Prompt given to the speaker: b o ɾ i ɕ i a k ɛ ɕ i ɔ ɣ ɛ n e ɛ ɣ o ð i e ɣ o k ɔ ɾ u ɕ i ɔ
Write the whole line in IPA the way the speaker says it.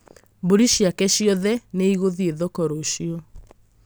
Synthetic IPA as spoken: b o ɾ i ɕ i a k ɛ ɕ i ɔ ð ɛ n e i ɣ o ð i e ð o k ɔ ɾ o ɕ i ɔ